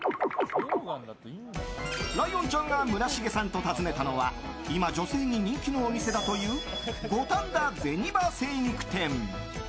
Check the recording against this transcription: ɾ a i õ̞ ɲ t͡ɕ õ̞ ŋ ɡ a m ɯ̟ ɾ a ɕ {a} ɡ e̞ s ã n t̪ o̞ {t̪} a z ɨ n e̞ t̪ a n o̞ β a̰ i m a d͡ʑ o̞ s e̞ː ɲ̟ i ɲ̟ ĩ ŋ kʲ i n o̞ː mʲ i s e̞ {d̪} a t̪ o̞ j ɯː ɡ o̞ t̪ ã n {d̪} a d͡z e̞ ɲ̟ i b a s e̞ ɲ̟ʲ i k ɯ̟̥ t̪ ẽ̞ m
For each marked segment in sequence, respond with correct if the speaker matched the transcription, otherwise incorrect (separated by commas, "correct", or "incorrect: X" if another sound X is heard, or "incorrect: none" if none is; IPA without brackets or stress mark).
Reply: incorrect: i, correct, correct, correct